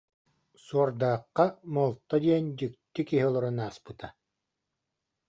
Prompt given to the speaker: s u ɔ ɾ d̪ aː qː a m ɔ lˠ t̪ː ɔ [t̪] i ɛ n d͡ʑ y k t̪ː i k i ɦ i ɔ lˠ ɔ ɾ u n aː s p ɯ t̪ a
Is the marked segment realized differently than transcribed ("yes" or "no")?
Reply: yes